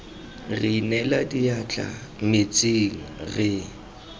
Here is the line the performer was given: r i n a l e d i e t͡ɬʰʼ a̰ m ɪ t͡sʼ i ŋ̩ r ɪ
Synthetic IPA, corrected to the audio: r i n ɛ l a d i a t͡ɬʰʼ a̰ m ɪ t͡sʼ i ŋ̩ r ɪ